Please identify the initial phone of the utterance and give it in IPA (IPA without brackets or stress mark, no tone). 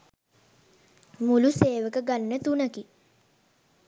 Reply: m